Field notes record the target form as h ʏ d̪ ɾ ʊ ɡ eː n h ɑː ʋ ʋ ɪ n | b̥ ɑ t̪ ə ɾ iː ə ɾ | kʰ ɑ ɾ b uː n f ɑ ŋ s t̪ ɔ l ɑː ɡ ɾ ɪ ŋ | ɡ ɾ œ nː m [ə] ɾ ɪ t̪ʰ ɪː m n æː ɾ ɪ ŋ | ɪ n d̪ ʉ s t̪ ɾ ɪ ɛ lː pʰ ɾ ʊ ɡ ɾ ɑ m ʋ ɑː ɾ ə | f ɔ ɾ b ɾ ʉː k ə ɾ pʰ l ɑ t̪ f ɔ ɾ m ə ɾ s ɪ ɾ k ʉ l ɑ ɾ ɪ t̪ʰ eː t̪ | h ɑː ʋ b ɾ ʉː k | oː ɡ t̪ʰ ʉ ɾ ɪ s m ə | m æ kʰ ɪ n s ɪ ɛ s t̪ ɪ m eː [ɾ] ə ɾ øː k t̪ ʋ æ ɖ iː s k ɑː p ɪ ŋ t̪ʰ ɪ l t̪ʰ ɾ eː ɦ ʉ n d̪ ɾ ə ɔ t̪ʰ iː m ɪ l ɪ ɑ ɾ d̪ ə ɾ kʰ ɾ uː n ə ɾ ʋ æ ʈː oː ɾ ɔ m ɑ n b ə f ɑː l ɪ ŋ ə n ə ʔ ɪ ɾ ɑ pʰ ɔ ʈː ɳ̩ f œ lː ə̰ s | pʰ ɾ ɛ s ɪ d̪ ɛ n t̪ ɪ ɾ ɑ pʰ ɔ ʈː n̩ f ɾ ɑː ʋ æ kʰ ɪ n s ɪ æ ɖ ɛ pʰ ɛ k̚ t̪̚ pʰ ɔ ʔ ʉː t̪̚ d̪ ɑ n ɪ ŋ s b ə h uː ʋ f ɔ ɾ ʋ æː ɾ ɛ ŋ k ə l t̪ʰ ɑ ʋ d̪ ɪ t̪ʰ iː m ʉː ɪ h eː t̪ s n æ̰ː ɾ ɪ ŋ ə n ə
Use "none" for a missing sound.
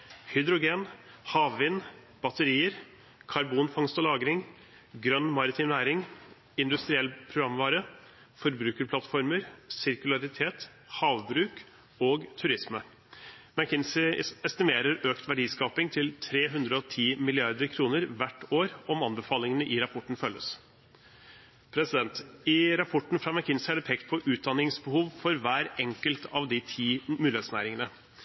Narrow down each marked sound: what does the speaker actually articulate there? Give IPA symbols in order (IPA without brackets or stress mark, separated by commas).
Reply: ɑ, ɾ